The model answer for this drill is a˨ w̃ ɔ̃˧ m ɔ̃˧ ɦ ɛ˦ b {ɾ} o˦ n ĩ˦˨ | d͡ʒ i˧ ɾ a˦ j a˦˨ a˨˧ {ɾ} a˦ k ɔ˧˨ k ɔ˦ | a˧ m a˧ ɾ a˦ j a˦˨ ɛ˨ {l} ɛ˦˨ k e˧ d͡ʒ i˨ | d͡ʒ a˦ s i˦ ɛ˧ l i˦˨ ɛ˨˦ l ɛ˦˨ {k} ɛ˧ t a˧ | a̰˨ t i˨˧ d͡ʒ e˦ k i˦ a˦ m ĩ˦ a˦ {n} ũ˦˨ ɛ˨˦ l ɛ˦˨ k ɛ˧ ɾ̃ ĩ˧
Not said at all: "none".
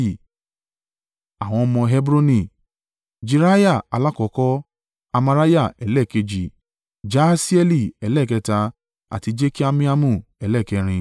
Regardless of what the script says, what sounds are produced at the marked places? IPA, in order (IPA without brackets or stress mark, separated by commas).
ɾ, l, l, k, m